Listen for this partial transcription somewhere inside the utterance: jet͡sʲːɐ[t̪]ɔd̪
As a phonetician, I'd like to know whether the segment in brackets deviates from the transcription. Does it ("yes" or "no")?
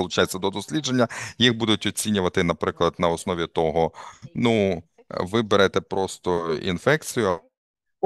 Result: yes